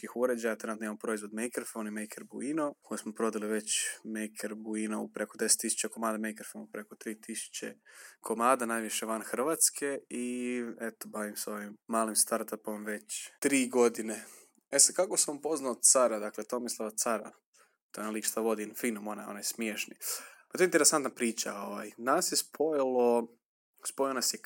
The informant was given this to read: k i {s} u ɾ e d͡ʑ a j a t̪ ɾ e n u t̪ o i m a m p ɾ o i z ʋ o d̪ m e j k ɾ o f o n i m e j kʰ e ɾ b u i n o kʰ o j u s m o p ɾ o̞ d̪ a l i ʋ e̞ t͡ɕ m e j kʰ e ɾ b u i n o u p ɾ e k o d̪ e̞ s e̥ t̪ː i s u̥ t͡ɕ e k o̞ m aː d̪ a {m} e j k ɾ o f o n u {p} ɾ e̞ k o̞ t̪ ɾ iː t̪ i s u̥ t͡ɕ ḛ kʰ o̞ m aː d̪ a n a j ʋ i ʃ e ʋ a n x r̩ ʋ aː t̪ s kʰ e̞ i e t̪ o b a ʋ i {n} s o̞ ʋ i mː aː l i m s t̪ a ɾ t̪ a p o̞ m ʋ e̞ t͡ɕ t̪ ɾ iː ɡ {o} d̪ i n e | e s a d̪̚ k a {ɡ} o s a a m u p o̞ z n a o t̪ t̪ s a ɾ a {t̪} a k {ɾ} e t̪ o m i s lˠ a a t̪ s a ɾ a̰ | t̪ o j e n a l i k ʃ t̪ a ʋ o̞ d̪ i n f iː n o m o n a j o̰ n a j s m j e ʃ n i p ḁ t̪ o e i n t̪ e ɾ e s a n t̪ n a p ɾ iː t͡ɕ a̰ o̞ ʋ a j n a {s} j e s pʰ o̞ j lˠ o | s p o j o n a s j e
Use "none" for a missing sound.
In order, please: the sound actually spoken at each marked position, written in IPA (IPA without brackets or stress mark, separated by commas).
x, m, p, m, o, k, d̪, l, s